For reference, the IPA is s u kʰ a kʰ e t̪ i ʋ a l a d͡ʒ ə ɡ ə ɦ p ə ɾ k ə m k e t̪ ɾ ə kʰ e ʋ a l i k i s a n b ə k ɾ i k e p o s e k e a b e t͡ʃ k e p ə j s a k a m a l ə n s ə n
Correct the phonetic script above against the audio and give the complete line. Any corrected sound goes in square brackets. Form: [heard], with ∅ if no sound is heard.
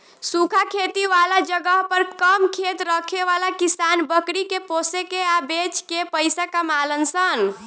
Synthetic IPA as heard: s u kʰ a kʰ e t̪ i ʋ a l a d͡ʒ ə ɡ ə ɦ p ə ɾ k ə m [kʰ] e t̪ ɾ ə kʰ e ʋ a l [a] k i s a n b ə k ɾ i k e p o s e k e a b e t͡ʃ k e p ə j s a k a m a l ə n s ə n

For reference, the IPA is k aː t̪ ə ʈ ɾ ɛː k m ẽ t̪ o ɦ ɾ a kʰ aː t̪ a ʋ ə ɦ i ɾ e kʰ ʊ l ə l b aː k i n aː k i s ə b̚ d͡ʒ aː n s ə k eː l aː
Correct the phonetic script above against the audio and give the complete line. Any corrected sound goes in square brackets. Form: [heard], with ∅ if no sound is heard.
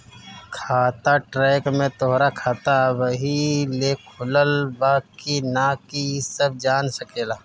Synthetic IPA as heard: [kʰ] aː t̪ [a] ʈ ɾ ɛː k m ẽ t̪ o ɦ ɾ a kʰ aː t̪ a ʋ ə ɦ i [l] e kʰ ʊ l ə l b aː k i n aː k i s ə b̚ d͡ʒ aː n s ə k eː l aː

